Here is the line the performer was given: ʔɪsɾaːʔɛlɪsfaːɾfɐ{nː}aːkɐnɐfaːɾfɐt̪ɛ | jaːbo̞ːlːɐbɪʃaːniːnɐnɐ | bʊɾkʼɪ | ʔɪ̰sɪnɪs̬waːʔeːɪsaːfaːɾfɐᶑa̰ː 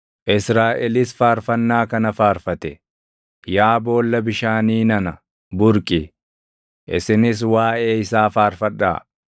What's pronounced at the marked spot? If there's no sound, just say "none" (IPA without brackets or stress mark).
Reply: nː